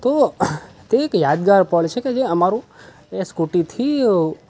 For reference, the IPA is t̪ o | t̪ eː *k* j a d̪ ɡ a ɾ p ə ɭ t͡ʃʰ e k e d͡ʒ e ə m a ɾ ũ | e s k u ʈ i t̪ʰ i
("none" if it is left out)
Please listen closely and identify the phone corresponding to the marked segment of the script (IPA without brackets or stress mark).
k